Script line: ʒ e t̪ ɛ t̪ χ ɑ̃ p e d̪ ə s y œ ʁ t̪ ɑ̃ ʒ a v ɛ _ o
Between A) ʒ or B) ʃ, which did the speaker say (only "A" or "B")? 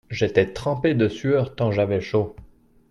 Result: B